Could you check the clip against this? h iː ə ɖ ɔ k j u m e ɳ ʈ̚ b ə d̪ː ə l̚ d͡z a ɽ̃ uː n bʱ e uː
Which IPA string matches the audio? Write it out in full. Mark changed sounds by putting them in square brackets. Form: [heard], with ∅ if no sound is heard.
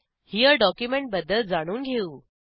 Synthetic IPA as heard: h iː ə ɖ ɔ k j u m e ɳ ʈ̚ b ə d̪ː ə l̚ d͡z a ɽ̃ uː n [ɡʱ] e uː